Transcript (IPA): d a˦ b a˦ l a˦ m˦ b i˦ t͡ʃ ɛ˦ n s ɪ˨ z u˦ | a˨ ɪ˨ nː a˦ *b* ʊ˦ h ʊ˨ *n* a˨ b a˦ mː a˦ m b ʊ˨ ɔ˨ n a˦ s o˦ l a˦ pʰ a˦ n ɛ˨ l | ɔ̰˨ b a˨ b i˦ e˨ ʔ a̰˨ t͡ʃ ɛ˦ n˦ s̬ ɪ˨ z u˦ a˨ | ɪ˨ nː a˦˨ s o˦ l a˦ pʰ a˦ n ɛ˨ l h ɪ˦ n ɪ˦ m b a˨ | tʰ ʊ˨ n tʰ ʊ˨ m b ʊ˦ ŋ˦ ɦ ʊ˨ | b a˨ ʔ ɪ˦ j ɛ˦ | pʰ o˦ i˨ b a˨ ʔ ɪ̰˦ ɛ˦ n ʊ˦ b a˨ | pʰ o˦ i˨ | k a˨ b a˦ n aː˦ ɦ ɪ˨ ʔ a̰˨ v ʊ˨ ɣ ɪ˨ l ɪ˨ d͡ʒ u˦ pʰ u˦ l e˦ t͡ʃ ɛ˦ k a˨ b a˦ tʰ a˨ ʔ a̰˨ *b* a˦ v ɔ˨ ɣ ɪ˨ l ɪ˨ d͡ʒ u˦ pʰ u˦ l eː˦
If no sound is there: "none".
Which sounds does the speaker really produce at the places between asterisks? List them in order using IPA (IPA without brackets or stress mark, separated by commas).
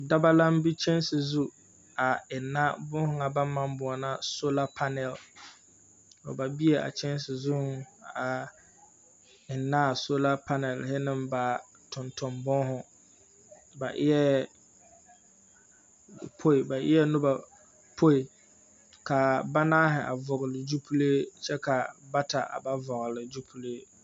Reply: b, ŋ, b